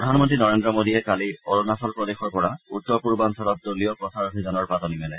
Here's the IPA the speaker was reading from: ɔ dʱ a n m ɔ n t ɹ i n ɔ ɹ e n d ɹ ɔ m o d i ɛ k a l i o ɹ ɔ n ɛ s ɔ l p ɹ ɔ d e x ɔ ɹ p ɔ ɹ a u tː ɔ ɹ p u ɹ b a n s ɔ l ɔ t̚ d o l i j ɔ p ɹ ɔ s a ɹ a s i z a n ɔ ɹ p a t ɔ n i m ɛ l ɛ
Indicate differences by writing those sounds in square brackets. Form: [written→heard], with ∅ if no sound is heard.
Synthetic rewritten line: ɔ dʱ a n m ɔ n t ɹ i n ɔ ɹ e n d ɹ ɔ m o d i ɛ k a l i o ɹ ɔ n [ɛ→a] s ɔ l p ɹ ɔ d e x ɔ ɹ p ɔ ɹ a u tː ɔ ɹ p u ɹ b a n s ɔ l ɔ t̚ d o l i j ɔ p ɹ ɔ s a ɹ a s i z a n ɔ ɹ p a t ɔ n i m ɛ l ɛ